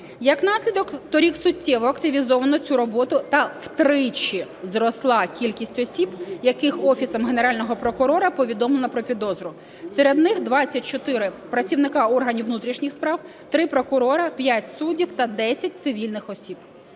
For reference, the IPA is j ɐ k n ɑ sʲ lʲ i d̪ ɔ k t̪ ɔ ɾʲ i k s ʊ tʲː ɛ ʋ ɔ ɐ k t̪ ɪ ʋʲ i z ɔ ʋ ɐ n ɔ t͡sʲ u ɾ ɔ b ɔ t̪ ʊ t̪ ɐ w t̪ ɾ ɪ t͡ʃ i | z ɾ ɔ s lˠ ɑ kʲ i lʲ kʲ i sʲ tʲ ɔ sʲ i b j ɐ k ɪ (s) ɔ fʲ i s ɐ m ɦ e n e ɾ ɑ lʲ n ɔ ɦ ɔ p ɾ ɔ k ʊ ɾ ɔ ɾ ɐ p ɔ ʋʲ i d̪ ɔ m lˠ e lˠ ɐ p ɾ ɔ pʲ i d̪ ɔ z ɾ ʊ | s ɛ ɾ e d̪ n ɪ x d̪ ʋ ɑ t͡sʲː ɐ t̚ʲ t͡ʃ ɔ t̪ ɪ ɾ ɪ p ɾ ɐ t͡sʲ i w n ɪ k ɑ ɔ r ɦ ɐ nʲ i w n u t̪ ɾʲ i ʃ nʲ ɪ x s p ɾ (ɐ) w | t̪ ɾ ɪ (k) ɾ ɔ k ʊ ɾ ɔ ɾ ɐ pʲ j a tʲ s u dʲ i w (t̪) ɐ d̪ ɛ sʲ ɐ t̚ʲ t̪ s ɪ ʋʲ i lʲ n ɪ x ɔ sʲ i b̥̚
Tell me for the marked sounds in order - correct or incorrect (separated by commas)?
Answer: incorrect, incorrect, incorrect, correct